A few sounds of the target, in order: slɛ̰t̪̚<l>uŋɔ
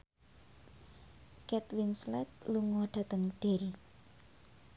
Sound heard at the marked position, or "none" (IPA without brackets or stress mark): l